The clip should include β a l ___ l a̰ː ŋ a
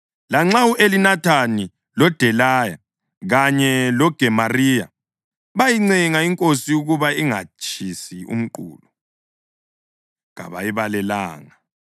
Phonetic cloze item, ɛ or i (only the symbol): ɛ